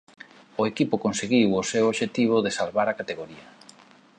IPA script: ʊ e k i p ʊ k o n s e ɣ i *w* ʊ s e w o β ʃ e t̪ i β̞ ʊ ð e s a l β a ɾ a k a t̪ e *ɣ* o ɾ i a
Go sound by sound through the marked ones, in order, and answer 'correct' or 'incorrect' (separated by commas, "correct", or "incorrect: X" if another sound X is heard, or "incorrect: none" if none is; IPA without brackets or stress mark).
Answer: correct, correct